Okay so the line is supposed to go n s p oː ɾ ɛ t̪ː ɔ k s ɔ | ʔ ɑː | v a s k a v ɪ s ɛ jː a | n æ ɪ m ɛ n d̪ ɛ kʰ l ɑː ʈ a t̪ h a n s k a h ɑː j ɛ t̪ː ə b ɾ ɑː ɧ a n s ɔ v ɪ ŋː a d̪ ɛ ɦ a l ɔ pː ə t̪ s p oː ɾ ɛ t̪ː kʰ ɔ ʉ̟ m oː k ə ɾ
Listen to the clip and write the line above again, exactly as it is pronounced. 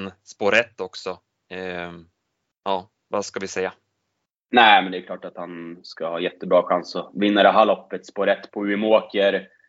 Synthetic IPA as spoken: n s p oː ɾ ɛ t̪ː ɔ k s ɔ | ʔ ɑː | v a s k a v ɪ s ɛ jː a | n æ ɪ m ɛ n d̪ ɛ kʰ l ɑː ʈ a t̪ h a n s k a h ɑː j ɛ t̪ː ə b ɾ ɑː ɧ a n s ɔ v ɪ nː a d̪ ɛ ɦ a l ɔ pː ə t̪ s p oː ɾ ɛ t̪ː pʰ ɔ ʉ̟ m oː k ə ɾ